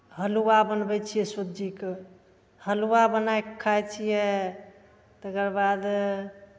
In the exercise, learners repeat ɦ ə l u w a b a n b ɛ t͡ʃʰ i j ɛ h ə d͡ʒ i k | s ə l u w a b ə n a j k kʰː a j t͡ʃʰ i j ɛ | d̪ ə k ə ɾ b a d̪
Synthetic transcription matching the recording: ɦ ə l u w a b ə n b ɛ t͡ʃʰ i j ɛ s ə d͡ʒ i k | h ə l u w a b ə n a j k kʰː a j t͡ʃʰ i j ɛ | t̪ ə k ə ɾ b a d̪